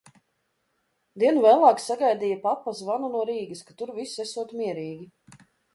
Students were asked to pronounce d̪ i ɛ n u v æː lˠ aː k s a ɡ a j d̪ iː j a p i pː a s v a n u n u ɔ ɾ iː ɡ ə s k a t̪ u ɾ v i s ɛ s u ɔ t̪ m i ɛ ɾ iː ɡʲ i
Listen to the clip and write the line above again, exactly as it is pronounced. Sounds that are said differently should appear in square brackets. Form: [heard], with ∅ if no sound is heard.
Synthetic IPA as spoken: d̪ i ɛ n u v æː lˠ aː k s a ɡ a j d̪ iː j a p [a] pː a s v a n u n u ɔ ɾ iː ɡ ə s k a t̪ u ɾ v i s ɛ s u ɔ t̪ m i ɛ ɾ iː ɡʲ i